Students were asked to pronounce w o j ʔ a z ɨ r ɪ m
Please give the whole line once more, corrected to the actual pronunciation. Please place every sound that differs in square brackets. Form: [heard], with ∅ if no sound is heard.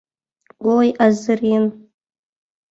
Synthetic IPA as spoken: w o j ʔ a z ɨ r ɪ [n]